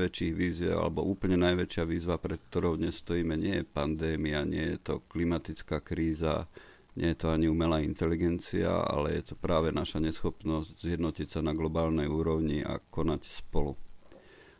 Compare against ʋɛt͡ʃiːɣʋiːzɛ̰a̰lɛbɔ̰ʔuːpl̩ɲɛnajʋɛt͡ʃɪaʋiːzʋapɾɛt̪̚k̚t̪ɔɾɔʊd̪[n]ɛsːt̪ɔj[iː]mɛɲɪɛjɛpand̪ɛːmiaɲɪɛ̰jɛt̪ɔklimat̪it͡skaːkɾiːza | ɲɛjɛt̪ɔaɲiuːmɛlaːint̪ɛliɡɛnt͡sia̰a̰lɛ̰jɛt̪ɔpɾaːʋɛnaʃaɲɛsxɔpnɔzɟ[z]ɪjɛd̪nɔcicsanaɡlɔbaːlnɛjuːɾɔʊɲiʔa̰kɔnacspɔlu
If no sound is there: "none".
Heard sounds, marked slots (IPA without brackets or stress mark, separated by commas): ɲ, iː, z